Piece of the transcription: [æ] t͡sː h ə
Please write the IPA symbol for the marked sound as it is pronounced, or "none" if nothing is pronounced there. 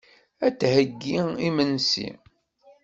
æ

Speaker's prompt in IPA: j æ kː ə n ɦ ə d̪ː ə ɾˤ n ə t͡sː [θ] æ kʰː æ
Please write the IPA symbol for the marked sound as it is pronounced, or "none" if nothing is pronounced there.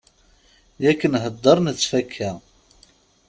f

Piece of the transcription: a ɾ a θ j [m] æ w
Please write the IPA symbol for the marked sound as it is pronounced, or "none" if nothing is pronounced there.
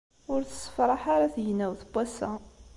n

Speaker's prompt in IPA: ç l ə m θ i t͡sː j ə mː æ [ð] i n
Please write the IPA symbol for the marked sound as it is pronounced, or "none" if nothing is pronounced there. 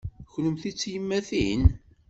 θ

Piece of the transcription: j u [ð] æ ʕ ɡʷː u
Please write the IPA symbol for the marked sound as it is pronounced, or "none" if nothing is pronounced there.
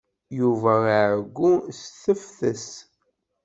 v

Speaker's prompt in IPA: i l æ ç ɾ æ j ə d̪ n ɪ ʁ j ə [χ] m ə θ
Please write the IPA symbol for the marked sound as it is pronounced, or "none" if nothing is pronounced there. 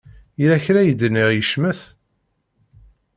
ʃ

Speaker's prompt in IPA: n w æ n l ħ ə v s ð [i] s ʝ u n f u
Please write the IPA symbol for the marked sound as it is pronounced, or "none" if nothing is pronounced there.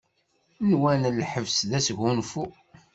æ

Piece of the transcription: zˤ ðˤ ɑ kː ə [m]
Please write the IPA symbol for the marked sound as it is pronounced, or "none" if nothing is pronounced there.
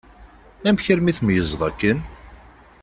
n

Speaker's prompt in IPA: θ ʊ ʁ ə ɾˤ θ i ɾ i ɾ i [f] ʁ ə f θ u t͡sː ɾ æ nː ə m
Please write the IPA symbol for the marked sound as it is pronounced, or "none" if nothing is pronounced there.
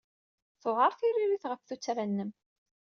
θ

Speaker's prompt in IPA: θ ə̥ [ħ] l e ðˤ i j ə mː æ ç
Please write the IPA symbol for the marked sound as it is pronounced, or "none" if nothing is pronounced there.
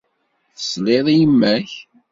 s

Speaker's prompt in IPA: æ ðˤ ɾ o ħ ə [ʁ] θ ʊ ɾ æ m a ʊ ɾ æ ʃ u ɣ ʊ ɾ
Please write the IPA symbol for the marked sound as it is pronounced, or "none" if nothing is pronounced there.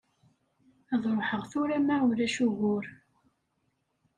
ʁ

